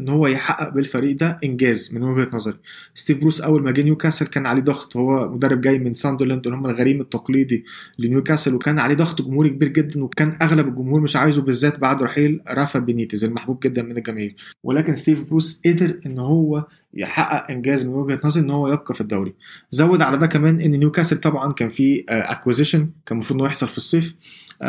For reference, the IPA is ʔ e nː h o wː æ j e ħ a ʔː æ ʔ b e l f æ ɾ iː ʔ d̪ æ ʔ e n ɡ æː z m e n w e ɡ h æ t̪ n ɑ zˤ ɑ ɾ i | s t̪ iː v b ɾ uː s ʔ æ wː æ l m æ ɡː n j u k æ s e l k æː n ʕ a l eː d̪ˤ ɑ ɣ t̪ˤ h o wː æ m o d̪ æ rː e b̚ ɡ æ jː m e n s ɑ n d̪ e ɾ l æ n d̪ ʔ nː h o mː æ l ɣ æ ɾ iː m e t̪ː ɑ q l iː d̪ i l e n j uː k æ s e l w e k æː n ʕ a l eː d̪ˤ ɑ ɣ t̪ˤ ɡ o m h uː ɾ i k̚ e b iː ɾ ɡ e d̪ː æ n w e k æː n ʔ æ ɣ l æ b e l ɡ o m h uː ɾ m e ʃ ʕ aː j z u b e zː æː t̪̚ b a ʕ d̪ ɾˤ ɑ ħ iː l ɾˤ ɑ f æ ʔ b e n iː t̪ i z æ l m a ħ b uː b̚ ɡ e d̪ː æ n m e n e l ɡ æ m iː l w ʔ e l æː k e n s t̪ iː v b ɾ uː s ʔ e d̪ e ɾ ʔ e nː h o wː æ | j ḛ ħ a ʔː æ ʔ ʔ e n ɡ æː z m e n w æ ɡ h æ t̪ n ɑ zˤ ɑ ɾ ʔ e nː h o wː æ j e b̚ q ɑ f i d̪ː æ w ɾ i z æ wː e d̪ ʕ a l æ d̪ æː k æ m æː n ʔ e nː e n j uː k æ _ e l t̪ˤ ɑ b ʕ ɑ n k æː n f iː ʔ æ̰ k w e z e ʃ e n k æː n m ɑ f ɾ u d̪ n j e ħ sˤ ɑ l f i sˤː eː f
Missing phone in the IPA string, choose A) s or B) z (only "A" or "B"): A